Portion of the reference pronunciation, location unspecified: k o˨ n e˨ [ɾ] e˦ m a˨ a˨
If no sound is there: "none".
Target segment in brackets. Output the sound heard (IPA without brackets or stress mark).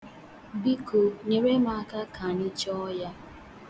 ɾ